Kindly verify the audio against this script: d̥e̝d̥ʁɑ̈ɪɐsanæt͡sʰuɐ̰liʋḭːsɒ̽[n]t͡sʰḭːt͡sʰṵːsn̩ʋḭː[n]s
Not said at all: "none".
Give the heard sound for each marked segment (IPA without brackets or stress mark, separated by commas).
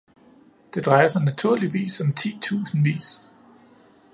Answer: m, none